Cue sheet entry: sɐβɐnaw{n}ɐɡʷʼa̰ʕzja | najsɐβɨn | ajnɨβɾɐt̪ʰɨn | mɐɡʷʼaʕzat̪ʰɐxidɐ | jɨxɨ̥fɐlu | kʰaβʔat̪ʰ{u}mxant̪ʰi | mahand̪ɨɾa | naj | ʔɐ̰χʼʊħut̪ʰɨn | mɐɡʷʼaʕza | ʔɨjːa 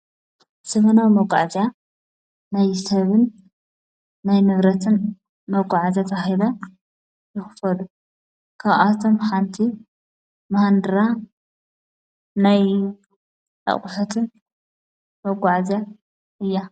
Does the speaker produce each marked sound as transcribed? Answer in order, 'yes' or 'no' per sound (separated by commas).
no, no